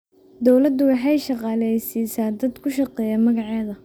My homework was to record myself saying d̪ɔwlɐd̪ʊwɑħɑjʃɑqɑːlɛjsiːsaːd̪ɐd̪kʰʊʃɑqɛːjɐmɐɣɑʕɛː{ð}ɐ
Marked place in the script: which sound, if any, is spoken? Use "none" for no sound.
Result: ð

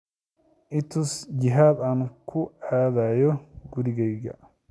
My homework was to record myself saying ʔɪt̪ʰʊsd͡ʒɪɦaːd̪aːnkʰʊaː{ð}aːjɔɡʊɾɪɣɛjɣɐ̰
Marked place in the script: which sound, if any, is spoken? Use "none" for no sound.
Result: ð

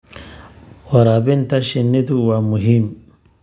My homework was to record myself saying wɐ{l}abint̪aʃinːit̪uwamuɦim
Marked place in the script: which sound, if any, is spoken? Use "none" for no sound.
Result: ɾ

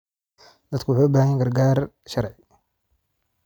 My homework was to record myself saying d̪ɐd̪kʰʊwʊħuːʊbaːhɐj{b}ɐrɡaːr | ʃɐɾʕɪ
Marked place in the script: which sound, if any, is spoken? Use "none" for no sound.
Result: ɡ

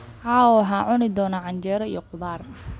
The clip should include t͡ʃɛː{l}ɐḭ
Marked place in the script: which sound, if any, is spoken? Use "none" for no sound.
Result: ɾ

